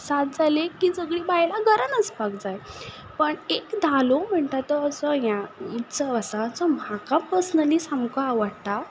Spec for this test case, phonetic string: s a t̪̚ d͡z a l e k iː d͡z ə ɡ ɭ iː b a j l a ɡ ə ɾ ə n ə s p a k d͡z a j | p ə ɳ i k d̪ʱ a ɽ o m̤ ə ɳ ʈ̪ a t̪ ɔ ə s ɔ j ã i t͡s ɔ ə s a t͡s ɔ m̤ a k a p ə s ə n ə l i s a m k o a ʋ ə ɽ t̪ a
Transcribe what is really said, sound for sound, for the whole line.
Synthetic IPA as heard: s a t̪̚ d͡z a l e k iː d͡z ə ɡ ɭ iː b a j l a ɡ ə ɾ ə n ə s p a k d͡z a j | p ə ɳ e k d̪ʱ a l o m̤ ə ɳ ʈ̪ a t̪ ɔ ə s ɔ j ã i t͡s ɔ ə s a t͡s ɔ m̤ a k a p ə s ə n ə l i s a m k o a ʋ ə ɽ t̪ a

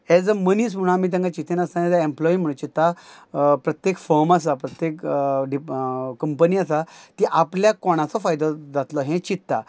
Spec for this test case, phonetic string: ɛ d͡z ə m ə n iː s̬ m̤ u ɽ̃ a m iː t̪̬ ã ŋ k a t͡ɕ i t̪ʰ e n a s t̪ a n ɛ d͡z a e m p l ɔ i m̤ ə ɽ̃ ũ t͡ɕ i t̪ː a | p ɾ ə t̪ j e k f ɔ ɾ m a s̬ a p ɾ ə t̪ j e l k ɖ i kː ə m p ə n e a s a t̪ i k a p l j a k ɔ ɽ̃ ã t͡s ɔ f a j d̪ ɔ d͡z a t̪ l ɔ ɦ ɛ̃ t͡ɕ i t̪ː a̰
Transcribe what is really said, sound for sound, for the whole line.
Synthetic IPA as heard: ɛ d͡z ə m ə n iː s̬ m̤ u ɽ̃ a m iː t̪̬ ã ŋ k a t͡ɕ i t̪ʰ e n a s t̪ a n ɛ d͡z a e m p l ɔ i m̤ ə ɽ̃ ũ t͡ɕ i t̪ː a | p ɾ ə t̪ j e k f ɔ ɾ m a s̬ a p ɾ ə t̪ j e k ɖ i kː ə m p ə n i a s a t̪ i ʔ a p l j a k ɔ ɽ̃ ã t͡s ɔ f a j d̪ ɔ d͡z a t̪ l ɔ ɦ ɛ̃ t͡ɕ i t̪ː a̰

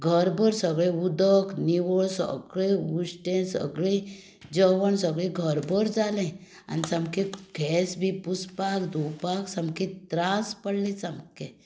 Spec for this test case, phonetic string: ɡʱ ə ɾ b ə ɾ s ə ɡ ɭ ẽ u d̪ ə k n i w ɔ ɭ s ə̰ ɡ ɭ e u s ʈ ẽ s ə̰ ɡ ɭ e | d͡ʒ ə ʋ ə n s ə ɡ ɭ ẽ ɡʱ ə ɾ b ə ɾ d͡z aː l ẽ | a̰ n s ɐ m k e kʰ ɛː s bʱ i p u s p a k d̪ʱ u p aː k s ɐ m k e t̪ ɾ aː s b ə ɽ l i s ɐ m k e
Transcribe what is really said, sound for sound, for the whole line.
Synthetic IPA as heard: ɡʱ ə ɾ b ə ɾ s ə ɡ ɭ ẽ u d̪ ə k n i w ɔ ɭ s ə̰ ɡ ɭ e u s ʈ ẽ s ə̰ ɡ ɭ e | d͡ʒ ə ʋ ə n s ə ɡ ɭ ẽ ɡʱ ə ɾ b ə ɾ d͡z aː l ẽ | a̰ n s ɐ m k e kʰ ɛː s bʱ i p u s p a k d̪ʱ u p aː k s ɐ m k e t̪ ɾ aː s p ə ɽ l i s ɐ m k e

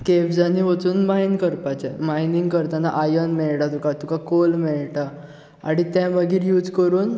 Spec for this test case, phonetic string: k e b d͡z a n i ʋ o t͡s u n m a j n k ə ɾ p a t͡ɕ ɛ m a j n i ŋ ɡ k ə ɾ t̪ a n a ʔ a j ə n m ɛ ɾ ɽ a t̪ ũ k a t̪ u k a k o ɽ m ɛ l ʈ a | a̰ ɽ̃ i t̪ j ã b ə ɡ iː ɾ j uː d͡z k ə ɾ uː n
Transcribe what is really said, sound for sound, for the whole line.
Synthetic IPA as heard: k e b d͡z a n i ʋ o t͡s uː n m a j n k ə ɾ p a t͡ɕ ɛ m a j n i ŋ ɡ k ə ɾ t̪ a n a ʔ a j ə n m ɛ ɭ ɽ a t̪ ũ k a t̪ u k a k o l m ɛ ɭ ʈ a | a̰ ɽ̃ i t̪ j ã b ə ɡ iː ɾ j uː d͡z k ə ɾ uː n

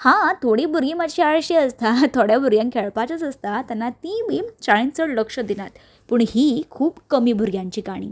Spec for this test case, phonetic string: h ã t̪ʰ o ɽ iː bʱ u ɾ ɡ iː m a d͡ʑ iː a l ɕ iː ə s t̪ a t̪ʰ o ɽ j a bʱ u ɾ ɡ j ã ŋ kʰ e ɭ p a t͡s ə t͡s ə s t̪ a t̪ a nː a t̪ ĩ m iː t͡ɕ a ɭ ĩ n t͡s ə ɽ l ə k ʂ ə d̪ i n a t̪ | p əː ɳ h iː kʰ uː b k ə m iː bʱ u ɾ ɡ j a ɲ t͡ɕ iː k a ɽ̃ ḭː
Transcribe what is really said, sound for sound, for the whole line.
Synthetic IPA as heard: h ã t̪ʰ o ɽ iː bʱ u ɾ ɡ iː m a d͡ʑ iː a ɭ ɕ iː ə s t̪ a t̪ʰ o ɽ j a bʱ u ɾ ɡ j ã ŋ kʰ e ɭ p a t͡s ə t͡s ə s t̪ a t̪ a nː a t̪ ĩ m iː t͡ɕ a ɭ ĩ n t͡s ə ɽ l ə k ʂ ə d̪ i n a t̪ | p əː ɳ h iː kʰ uː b k ə m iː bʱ u ɾ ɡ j a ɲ t͡ɕ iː k a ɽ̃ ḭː

